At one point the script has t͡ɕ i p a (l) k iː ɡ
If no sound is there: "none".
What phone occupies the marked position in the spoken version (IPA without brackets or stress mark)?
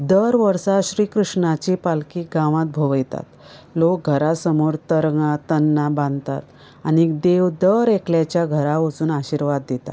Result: l